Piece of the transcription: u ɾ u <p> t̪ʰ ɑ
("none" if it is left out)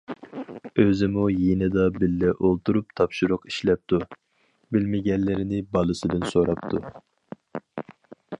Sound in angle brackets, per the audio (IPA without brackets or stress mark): p